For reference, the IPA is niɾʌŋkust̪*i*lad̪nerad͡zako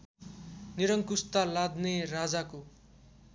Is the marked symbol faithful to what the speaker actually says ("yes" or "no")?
no